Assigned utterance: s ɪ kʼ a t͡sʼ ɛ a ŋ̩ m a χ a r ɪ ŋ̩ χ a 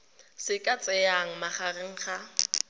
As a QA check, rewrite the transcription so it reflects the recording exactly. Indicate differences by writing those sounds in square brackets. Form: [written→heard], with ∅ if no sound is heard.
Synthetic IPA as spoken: s ɪ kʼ a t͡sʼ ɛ a ŋ̩ m a χ a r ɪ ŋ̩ χ a